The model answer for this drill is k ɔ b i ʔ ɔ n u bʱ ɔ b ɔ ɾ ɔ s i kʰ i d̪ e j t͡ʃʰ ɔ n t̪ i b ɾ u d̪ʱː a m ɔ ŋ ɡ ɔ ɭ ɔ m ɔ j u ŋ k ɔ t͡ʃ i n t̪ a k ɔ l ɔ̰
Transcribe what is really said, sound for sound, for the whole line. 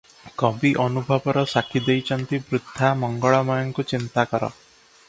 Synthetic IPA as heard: k ɔ b i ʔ ɔ n u bʱ ɔ b ɔ ɾ ɔ s a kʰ i d̪ e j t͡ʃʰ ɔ n t̪ i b ɾ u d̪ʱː a m ɔ ŋ ɡ ɔ ɭ ɔ m ɔ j ɔ ŋ k u t͡ʃ i n t̪ a k ɔ ɾ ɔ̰